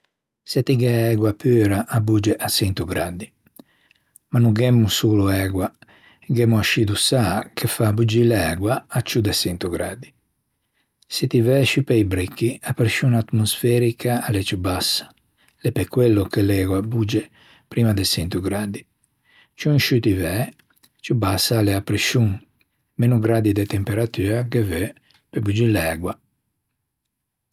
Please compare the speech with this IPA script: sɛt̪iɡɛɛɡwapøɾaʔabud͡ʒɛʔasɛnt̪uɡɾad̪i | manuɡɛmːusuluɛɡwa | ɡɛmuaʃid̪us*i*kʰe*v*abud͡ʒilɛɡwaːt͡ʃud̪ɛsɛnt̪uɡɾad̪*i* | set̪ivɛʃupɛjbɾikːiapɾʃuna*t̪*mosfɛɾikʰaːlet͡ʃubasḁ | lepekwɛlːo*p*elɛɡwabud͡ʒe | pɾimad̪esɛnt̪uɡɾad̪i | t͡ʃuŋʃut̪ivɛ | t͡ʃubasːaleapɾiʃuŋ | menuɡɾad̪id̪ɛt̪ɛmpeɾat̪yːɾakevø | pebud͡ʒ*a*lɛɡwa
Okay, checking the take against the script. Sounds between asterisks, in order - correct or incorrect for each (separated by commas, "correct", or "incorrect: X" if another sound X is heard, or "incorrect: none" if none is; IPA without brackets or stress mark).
incorrect: a, incorrect: f, correct, correct, incorrect: k, incorrect: i